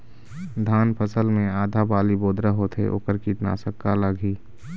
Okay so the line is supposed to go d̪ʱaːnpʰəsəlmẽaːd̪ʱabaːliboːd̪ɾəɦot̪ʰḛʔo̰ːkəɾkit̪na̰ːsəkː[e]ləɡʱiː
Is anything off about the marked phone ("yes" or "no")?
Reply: yes